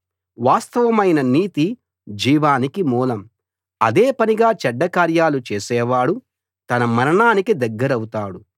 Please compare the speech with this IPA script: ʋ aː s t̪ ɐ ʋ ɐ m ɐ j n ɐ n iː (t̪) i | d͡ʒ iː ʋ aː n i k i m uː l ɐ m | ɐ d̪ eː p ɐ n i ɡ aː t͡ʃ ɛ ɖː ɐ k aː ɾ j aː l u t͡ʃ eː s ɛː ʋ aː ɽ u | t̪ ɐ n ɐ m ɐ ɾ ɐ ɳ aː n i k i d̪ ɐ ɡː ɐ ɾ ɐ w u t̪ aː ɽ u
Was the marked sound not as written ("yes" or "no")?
no